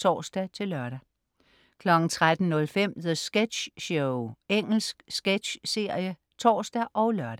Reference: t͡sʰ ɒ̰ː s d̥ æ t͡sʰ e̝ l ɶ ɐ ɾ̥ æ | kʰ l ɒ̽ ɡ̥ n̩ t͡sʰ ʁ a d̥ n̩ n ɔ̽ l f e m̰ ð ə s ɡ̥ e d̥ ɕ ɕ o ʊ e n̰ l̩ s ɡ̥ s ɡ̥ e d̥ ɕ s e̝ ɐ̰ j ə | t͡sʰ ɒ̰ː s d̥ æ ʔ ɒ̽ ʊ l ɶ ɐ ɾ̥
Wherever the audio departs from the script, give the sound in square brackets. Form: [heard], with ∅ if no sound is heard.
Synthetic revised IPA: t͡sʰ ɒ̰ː s d̥ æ t͡sʰ e̝ l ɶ ɐ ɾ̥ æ | kʰ l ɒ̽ ɡ̥ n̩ t͡sʰ ʁ a d̥ n̩ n ɔ̽ l f e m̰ ð ə s ɡ̥ e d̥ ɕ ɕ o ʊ e [ŋ̰] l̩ s ɡ̥ s ɡ̥ e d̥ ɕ s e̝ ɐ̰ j ə | t͡sʰ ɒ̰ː s d̥ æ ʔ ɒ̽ ʊ l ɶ ɐ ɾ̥